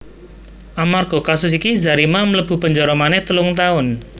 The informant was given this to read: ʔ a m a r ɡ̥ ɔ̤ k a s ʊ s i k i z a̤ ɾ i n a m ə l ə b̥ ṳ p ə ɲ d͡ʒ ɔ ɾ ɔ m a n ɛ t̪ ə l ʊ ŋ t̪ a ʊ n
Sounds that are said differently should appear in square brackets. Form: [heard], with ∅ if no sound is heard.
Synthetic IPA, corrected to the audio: ʔ a m a r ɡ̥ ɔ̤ k a s ʊ s i k i z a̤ ɾ i [m] a m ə l ə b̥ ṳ p ə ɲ d͡ʒ ɔ ɾ ɔ m a n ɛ t̪ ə l ʊ ŋ t̪ a ʊ n